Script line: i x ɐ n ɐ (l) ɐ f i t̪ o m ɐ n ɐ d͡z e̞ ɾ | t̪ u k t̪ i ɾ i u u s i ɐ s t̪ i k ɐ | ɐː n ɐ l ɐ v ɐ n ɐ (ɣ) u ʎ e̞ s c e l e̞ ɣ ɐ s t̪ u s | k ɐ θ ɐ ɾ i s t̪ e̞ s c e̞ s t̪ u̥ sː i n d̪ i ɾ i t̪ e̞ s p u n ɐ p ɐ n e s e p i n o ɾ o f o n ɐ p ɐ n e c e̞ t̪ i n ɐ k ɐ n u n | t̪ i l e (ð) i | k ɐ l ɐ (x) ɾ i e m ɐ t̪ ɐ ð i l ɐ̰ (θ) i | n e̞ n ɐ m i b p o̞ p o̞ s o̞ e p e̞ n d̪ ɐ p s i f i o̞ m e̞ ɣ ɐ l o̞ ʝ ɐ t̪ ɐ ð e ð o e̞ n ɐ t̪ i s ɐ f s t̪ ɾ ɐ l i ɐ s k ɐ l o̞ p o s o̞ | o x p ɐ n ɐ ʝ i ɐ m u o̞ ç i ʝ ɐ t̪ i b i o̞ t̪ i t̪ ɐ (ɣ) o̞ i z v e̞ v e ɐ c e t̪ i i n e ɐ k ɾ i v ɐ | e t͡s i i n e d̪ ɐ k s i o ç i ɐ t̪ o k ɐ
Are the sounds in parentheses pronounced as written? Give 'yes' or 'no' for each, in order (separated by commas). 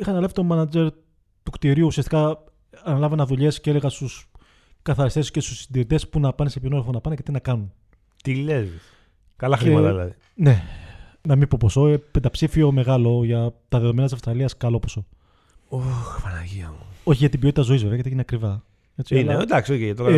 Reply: yes, no, no, yes, no, no